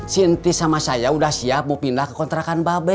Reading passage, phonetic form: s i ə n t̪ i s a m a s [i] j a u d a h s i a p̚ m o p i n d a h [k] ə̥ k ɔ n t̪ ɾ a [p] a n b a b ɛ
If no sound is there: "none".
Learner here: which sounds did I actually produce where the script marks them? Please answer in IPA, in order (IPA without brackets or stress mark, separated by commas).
a, k, k